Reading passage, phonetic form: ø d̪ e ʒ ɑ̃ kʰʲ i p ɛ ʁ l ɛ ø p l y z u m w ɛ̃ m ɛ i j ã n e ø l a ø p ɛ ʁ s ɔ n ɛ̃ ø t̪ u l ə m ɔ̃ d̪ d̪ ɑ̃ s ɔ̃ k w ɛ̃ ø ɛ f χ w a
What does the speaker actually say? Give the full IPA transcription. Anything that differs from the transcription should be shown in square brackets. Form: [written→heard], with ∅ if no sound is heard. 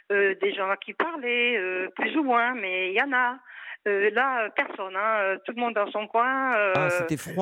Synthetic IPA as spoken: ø d̪ e ʒ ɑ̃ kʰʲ i p [ɛ→a] ʁ l ɛ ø p l y z u m w ɛ̃ m ɛ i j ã n [e→a] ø l a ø p ɛ ʁ s ɔ n ɛ̃ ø t̪ u l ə m ɔ̃ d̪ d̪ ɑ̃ s ɔ̃ k w ɛ̃ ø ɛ f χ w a